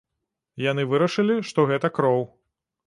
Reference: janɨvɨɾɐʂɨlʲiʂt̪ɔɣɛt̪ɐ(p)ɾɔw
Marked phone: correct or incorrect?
incorrect